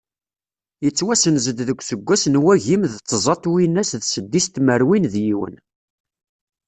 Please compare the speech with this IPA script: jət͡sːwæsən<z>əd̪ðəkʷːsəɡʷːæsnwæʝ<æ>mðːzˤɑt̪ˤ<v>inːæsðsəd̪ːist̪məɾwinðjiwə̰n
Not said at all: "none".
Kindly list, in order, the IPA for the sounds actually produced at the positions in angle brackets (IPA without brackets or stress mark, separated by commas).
z, i, w